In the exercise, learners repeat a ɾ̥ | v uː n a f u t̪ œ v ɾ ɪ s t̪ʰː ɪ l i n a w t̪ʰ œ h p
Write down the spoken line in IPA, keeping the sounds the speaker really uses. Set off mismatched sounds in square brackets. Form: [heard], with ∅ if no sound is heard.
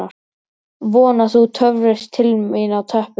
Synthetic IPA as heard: a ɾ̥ | v [ɔː] n a [θ] u [t̪ʰ] œ v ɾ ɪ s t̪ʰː ɪ l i n a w t̪ʰ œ h p